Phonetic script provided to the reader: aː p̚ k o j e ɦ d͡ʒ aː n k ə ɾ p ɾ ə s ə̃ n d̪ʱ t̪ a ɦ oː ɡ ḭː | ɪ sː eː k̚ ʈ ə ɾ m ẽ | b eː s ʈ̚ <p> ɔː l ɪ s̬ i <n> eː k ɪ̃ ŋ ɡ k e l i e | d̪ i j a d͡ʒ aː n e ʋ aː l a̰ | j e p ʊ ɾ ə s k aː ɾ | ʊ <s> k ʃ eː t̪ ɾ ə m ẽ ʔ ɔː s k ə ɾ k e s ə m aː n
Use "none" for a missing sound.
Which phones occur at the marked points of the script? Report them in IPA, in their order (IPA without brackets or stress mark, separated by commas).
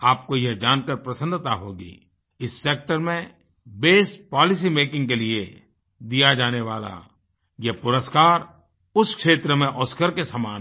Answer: p, m, s